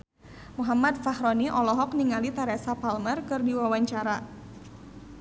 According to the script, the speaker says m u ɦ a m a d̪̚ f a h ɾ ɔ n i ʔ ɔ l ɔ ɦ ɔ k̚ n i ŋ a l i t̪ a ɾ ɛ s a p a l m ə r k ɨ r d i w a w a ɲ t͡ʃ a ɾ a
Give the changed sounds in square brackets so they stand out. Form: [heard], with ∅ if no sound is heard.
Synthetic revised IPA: m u ɦ a m a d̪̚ f a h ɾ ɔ n i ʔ ɔ l ɔ ɦ ɔ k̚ n i ŋ a l i t̪ a ɾ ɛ s a p a l m ə r k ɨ r d i w a w a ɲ t͡ʃ a ɾ a